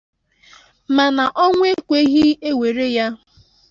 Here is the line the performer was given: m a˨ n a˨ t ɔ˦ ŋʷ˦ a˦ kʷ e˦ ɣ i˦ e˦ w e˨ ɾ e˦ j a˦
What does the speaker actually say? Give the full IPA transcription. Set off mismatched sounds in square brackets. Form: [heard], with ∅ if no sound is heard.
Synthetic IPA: m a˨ n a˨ [ʔ] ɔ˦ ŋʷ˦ [e˦] kʷ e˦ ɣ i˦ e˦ w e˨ ɾ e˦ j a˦